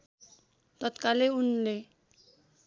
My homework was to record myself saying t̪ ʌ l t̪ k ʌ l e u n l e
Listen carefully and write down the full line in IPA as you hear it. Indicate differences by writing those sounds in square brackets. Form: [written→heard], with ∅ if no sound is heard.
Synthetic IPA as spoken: t̪ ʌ [l→∅] t̪ k [ʌ→a] l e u n l e